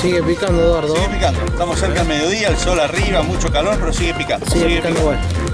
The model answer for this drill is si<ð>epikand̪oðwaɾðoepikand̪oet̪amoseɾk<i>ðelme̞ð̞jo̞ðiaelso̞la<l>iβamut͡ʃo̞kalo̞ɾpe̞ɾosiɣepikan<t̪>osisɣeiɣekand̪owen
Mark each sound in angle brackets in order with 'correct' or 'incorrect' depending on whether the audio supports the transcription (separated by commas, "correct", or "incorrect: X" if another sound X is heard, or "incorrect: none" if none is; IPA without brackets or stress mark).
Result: incorrect: ɣ, incorrect: a, incorrect: r, incorrect: d̪